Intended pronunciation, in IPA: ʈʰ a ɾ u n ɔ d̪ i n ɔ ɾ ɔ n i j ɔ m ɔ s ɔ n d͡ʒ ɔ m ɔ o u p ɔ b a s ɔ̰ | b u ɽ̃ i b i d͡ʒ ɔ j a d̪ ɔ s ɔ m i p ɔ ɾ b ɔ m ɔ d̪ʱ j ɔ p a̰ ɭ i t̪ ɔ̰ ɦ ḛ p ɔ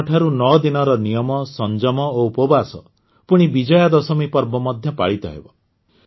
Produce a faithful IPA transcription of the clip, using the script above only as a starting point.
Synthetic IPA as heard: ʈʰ a ɾ u n ɔ d̪ i n ɔ ɾ ɔ n i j ɔ m ɔ s ɔ n d͡ʒ ɔ m ɔ o u p ɔ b a s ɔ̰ | p u ɽ̃ i b i d͡ʒ ɔ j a d̪ ɔ s ɔ m i p ɔ ɾ b ɔ m ɔ d̪ʱ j ɔ p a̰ ɭ i t̪ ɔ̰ ɦ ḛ b ɔ